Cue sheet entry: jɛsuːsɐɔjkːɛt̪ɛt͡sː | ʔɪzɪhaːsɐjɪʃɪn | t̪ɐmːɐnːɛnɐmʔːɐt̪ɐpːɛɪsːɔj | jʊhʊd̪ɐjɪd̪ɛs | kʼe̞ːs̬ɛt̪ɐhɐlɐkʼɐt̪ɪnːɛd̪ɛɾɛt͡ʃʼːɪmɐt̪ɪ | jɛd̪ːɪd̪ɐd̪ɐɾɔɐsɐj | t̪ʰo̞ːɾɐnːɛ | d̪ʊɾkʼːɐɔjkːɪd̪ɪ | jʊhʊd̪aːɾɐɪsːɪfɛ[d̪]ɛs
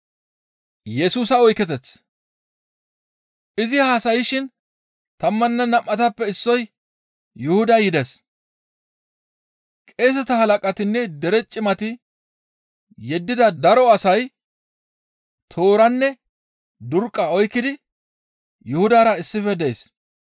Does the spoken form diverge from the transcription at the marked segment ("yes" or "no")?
no